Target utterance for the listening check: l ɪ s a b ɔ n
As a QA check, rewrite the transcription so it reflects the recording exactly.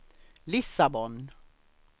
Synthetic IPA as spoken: l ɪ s a b ɔ n

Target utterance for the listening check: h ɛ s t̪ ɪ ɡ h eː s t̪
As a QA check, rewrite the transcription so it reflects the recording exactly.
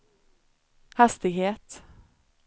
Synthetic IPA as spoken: h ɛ s t̪ ɪ ɡ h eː t̪

